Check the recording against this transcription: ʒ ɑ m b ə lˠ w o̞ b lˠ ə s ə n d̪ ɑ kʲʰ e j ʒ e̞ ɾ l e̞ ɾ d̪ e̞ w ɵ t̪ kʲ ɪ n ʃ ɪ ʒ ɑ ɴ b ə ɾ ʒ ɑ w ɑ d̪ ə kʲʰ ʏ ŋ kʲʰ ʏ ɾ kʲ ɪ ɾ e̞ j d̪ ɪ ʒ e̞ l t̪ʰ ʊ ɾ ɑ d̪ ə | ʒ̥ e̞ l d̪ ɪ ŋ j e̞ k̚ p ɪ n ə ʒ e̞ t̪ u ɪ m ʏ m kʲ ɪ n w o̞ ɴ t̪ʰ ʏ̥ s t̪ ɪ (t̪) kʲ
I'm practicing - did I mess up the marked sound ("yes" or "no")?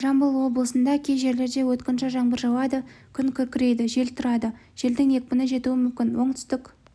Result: yes